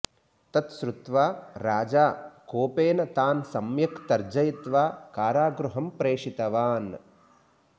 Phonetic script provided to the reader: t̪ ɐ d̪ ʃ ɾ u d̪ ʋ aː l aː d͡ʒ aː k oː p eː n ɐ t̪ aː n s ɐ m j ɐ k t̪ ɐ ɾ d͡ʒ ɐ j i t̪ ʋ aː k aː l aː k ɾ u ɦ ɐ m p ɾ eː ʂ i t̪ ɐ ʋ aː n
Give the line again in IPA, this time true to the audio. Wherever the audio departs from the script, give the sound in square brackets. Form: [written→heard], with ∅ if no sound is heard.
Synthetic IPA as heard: t̪ ɐ [d̪→t̪] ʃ ɾ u [d̪→t̪] ʋ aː [l→ɾ] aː d͡ʒ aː k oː p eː n ɐ t̪ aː n s ɐ m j ɐ k t̪ ɐ ɾ d͡ʒ ɐ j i t̪ ʋ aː k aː [l→ɾ] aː [k→ɡ] ɾ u ɦ ɐ m p ɾ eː ʂ i t̪ ɐ ʋ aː n